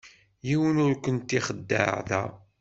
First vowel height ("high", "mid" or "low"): high